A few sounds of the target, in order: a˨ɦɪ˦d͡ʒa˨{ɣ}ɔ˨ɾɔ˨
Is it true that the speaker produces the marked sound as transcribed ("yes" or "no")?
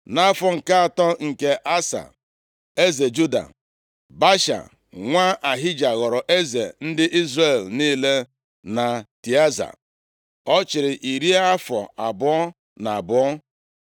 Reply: yes